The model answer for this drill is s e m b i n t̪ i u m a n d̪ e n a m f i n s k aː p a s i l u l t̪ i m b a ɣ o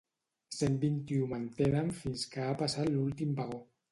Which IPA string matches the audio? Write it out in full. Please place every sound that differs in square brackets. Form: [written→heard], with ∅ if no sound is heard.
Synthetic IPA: s e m b i n t̪ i u m a n [d̪→t̪] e n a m f i n s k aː p a s [i→a] l u l t̪ i m b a ɣ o